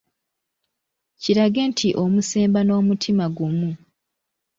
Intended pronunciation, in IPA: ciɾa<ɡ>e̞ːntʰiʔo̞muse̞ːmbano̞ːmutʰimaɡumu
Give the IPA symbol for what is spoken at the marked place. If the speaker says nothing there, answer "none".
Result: ɡ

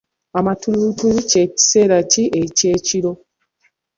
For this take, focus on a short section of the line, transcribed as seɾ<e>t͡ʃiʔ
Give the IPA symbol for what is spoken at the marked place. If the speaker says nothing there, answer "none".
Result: a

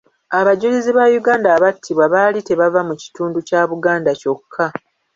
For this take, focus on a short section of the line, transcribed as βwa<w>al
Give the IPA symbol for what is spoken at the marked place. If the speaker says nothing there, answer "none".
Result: β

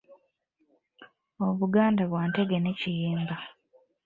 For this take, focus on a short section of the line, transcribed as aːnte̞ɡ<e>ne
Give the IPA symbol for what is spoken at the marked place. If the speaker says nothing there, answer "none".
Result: e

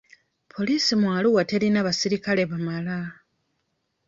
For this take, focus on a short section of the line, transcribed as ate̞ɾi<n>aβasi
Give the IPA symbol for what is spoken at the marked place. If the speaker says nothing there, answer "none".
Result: n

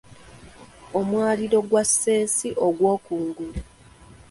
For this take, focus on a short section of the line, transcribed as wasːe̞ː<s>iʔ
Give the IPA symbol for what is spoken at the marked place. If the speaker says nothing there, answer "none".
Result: s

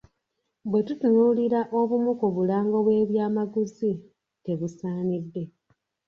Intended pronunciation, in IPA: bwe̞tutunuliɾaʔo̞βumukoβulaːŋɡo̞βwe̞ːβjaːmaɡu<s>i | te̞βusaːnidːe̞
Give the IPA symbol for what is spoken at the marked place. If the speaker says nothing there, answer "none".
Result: z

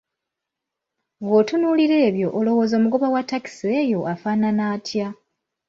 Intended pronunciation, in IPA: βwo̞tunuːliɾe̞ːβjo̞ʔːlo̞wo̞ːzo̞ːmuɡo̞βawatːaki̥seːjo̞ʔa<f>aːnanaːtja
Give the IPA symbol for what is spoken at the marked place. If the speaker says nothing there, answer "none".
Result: f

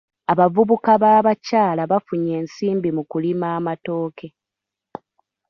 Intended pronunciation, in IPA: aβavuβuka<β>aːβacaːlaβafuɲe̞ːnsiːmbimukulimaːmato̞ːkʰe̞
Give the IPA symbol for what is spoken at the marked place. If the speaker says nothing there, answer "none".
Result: β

